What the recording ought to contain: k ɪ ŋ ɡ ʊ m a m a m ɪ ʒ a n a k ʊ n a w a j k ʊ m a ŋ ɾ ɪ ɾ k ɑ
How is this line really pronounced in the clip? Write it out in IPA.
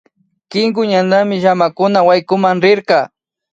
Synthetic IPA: k ɪ ŋ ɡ ʊ ɲ a n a m ɪ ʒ a m a k ʊ n a w a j k ʊ m a ŋ ɾ ɪ ɾ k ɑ